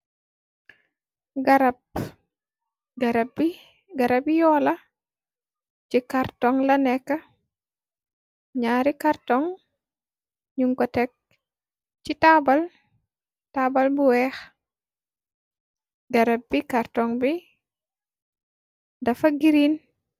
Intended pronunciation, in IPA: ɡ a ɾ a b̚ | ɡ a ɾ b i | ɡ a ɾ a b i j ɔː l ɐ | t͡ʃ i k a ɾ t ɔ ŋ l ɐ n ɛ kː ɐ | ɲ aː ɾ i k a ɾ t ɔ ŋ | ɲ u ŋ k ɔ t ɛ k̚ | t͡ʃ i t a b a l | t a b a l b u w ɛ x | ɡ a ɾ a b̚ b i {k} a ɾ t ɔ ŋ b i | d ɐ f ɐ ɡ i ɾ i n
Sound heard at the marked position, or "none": k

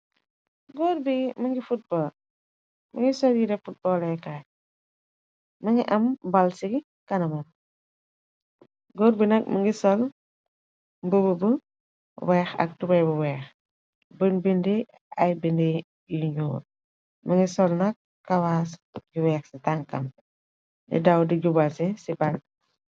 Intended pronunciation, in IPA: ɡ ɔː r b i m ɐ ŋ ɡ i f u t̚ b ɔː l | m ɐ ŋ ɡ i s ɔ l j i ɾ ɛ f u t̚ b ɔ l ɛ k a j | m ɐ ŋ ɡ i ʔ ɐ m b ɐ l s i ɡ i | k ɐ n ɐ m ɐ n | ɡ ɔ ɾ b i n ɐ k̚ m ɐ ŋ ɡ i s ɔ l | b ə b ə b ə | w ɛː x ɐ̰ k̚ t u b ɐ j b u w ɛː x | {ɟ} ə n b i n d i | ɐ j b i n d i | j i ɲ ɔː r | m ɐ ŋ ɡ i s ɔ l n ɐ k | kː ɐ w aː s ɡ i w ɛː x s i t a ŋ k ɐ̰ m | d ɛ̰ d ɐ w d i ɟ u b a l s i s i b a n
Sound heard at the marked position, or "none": b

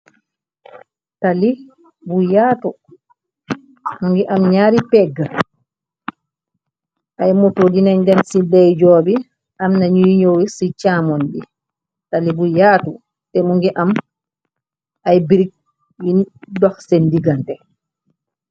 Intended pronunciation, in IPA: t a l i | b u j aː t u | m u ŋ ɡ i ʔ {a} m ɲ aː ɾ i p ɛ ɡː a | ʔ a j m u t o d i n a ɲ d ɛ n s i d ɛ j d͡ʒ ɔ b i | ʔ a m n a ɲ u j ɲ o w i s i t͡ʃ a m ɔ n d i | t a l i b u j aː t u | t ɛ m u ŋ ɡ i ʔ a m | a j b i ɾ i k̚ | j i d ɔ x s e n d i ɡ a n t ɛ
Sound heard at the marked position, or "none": a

